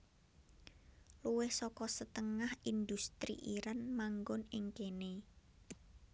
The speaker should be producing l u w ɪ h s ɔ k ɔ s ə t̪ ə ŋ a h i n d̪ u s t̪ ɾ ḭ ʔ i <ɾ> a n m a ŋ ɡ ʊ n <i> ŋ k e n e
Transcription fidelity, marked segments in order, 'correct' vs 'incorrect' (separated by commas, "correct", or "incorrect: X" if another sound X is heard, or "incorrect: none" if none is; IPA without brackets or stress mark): correct, incorrect: ɪ